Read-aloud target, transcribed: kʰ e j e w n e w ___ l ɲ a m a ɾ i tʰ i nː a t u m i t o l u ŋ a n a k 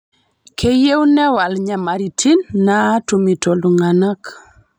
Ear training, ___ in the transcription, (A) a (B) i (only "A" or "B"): A